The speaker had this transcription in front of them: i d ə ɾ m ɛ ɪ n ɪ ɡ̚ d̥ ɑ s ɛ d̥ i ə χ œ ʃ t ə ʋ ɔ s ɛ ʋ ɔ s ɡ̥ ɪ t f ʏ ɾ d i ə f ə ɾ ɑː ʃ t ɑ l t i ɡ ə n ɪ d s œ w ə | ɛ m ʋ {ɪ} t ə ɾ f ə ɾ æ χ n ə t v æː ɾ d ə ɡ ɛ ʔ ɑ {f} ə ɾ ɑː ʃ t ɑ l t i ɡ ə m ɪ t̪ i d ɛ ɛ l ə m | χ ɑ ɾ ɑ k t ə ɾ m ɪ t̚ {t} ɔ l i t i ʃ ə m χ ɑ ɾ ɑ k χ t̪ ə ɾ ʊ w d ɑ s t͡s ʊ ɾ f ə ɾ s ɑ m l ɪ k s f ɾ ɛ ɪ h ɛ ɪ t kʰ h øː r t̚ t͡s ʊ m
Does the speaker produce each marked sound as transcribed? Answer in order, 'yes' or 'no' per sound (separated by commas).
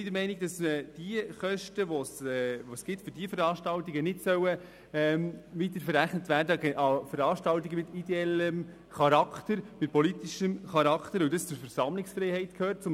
no, yes, no